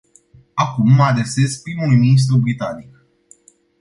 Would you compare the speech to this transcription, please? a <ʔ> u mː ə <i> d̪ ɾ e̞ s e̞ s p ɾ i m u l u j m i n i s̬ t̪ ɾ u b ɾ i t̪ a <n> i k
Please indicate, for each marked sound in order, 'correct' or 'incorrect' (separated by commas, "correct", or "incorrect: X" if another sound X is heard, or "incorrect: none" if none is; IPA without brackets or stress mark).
incorrect: k, incorrect: a, correct